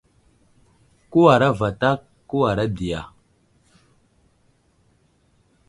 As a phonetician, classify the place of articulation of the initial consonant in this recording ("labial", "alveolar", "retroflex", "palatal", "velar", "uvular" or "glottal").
velar